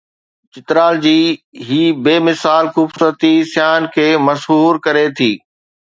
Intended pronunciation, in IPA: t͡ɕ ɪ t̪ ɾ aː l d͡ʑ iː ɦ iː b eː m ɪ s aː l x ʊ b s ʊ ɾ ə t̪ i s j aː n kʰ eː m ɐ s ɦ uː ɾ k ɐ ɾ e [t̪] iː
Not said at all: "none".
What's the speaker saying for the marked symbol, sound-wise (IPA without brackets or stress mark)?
t̪ʰ